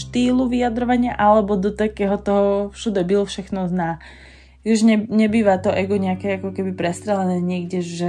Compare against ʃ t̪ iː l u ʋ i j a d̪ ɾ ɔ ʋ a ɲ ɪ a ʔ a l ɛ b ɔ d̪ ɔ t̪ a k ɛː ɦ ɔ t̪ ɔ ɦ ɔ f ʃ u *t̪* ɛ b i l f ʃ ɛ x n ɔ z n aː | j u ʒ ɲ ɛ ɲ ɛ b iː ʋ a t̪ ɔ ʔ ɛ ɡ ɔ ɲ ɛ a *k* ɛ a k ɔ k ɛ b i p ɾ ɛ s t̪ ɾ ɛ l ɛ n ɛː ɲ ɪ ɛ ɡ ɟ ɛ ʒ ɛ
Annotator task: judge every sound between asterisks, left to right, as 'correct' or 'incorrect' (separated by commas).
incorrect, correct